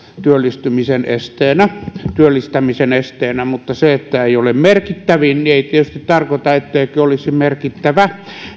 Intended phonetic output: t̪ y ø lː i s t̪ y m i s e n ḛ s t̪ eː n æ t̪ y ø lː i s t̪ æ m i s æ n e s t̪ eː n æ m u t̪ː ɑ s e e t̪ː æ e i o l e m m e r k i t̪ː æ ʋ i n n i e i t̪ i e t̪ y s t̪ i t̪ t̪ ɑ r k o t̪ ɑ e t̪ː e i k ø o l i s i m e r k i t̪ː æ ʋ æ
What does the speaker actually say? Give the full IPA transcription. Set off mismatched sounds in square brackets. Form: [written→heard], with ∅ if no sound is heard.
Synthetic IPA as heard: t̪ y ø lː i s t̪ y m i s e n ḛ s t̪ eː n æ t̪ y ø lː i s t̪ æ m i s [æ→e] n e s t̪ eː n æ m u t̪ː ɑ s e e t̪ː æ e i o l e m m e r k i t̪ː æ ʋ i n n i e i t̪ i e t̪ y s t̪ i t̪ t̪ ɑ r k o t̪ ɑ e t̪ː e i k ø o l i s i m e r k i t̪ː æ ʋ æ

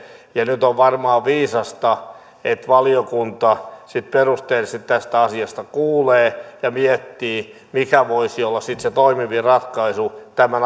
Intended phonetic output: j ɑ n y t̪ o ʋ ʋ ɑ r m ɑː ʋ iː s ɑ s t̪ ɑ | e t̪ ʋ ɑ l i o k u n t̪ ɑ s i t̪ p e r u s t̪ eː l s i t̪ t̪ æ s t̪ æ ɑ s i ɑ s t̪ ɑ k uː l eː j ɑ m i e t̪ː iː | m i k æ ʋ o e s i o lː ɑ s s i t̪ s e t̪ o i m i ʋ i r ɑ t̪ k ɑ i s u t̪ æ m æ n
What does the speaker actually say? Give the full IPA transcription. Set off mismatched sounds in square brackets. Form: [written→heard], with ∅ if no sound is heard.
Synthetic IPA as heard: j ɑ n y t̪ o ʋ ʋ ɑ r m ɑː ʋ iː s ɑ s t̪ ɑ | e t̪ ʋ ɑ l i o k u n t̪ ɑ s i t̪ p e r u s t̪ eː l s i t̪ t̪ æ s t̪ æ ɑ s i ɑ s t̪ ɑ k uː l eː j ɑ m i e t̪ː iː | m i k æ ʋ o [e→i] s i o lː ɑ s s i t̪ s e t̪ o i m i ʋ i r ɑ t̪ k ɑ i s u t̪ æ m æ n

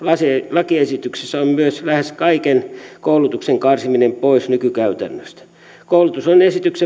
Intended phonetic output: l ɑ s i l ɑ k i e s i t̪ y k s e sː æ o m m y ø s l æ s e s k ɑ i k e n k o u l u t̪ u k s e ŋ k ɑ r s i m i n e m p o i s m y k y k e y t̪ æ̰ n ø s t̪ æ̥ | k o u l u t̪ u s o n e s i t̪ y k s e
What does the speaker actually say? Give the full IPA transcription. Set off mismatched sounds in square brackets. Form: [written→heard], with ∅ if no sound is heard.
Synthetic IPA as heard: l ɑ s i l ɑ k i e s i t̪ y k s e sː æ o m m y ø s l æ [s→h] e s k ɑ i k e n k o u l u t̪ u k s e ŋ k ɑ r s i m i n e m p o i s [m→n] y k y k [e→æ] y t̪ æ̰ [n→nː] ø s t̪ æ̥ | k o u l u t̪ u s o n e s i t̪ y k s e

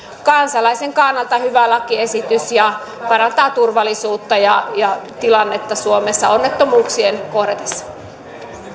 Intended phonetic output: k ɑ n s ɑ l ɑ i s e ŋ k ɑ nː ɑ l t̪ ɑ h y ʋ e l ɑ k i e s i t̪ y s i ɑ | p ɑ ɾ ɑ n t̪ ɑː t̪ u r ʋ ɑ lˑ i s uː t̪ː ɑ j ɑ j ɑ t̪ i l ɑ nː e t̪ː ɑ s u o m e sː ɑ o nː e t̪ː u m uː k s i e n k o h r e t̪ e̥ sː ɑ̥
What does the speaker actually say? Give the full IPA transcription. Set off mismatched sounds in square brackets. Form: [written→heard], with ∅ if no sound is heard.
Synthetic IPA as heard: k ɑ n s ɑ l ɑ i s e ŋ k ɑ nː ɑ l t̪ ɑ h y ʋ [e→æ] l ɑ k i e s i t̪ y s [i→j] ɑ | p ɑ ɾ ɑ n t̪ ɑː t̪ u r ʋ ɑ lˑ i s uː t̪ː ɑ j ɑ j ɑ t̪ i l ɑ nː e t̪ː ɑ s u o m e sː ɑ o nː e t̪ː [u→o] m uː k s i e n k o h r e t̪ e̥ sː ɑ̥

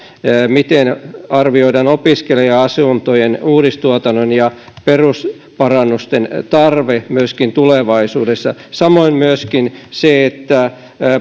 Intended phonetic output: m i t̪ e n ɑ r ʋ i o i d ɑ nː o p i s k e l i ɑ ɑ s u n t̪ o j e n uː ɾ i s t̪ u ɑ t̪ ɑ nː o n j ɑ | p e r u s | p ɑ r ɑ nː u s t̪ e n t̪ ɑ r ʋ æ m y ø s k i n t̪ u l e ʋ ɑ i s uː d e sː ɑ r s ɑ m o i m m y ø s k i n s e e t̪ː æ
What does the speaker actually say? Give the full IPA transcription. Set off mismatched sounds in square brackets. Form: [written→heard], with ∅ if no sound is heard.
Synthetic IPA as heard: m i t̪ e n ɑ r ʋ i o i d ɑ [nː→n] o p i s k e l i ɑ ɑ s u n t̪ o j e n uː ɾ i s t̪ u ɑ t̪ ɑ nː o n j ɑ | p e r u s | p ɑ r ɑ nː u s t̪ e n t̪ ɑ r ʋ [æ→e] m y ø s k i n t̪ u l e ʋ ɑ i s uː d e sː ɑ [r→∅] s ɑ m o i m m y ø s k i n s e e t̪ː æ

